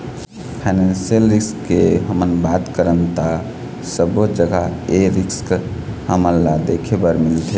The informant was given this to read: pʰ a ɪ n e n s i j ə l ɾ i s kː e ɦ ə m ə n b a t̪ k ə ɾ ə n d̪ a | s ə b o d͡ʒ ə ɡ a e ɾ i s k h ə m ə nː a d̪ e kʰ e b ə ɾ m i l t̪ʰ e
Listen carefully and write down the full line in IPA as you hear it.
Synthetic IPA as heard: pʰ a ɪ n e n s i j ə l ɾ i s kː e ɦ ə m ə n b a t̪ k ə ɾ ə n t̪ a | s ə b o d͡ʒ ə ɡ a e ɾ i s k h ə m ə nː a d̪ e kʰ e b ə ɾ m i l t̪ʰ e